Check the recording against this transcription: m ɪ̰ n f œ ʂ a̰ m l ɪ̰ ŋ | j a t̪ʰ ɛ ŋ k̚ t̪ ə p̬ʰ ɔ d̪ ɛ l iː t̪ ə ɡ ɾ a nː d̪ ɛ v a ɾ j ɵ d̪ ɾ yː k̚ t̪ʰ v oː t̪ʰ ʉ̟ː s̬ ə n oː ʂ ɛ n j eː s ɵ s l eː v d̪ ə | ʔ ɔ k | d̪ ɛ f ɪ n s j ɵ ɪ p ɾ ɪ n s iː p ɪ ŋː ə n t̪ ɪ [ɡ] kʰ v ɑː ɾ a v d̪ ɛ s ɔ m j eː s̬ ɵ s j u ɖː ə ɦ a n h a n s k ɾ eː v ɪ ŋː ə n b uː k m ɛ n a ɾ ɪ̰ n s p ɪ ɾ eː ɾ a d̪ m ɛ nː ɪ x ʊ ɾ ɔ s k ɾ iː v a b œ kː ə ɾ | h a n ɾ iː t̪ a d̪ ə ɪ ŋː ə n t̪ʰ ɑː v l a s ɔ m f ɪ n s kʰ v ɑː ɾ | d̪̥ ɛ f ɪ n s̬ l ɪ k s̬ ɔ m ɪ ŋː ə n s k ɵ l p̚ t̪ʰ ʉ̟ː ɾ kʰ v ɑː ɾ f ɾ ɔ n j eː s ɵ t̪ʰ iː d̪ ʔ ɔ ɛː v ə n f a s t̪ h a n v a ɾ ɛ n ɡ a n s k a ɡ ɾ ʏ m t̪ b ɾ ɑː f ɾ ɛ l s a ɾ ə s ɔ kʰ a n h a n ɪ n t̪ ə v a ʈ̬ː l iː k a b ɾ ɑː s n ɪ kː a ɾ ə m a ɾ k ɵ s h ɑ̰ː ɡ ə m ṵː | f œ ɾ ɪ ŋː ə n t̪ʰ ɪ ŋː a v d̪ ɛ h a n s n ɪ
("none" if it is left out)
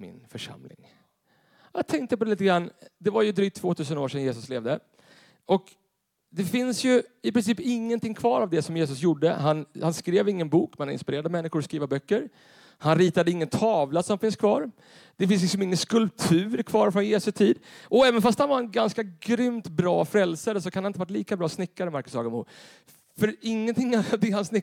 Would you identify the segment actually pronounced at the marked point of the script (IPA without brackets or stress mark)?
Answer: ŋ